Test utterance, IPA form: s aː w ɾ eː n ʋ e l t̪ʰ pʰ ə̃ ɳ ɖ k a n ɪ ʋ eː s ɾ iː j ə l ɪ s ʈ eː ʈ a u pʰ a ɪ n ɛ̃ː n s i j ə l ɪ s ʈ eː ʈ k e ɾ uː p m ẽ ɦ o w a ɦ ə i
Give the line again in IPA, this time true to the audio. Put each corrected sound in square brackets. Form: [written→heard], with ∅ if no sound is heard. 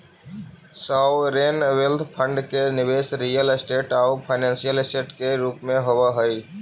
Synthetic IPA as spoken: s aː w ɾ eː n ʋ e l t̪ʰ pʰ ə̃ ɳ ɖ k [a→e] n ɪ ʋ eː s ɾ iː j ə l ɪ s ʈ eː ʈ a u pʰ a ɪ n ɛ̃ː n s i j ə l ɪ s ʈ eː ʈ k e ɾ uː p m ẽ ɦ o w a ɦ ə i